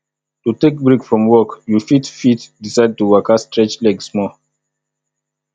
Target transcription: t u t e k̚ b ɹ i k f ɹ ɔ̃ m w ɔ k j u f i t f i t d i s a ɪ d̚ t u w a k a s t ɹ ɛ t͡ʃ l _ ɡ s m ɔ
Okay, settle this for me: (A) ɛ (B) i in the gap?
A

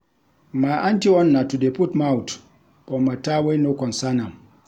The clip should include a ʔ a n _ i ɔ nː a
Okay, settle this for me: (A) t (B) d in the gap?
A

